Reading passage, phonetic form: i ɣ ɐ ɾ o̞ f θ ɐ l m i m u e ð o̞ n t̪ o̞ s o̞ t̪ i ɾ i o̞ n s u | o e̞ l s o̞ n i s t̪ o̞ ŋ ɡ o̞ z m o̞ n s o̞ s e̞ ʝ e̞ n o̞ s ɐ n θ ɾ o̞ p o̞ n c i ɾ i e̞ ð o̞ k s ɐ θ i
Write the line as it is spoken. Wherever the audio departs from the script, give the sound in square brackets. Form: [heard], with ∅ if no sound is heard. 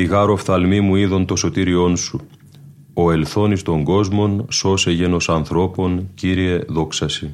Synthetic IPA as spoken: i ɣ ɐ ɾ o̞ f θ ɐ l m i m u [i] ð o̞ n t̪ o̞ s o̞ t̪ i ɾ i o̞ n s u | o e̞ l [θ] o̞ n i s t̪ o̞ ŋ ɡ o̞ z m o̞ n s o̞ s e̞ ʝ e̞ n o̞ s ɐ n θ ɾ o̞ p o̞ n c i ɾ i e̞ ð o̞ k s ɐ [s] i